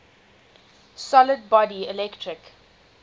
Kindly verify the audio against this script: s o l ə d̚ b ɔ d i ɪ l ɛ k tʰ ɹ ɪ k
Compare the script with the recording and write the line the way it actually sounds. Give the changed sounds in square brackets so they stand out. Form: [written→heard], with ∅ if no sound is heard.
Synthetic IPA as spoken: s [o→ɔ] l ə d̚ b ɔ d i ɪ l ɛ k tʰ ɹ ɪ k